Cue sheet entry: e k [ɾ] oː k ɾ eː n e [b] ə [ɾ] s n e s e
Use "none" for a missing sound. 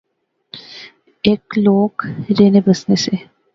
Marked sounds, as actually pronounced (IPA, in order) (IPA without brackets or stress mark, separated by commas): l, b, none